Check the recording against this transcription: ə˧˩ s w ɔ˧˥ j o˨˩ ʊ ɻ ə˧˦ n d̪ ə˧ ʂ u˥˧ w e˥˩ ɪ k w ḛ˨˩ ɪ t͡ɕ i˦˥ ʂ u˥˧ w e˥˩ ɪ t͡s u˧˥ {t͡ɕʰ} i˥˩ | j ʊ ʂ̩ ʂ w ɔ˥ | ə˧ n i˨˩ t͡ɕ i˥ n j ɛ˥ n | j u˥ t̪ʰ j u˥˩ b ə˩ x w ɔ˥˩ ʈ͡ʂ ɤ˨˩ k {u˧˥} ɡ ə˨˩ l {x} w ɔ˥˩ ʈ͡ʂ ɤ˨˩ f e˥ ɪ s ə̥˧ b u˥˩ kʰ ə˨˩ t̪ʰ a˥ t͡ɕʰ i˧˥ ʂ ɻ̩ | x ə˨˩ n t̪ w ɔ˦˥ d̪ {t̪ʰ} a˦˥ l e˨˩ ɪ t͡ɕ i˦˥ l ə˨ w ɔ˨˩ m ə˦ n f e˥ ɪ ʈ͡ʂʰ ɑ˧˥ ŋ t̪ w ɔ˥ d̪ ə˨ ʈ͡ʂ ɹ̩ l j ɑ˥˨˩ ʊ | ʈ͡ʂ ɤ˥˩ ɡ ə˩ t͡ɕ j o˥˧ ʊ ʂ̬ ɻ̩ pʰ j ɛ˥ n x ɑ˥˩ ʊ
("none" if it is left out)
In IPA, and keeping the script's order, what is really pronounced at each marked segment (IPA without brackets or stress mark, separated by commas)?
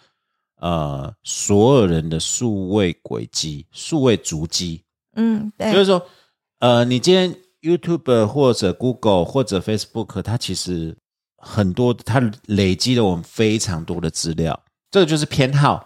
t͡ɕ, u˥, x, t̪ʰ